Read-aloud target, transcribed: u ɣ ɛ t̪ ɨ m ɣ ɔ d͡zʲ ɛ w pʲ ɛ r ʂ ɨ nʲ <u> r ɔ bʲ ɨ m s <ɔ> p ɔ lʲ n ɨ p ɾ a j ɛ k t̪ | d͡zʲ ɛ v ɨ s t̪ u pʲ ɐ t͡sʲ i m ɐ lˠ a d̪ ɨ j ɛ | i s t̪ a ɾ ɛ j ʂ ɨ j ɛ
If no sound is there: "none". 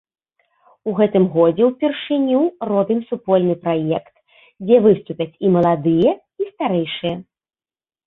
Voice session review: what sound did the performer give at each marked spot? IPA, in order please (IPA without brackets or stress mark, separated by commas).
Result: u, u